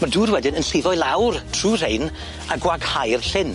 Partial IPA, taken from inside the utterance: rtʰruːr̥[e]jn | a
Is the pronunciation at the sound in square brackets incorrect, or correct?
correct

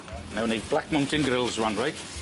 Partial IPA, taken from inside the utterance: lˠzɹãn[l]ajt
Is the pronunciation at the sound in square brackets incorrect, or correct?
incorrect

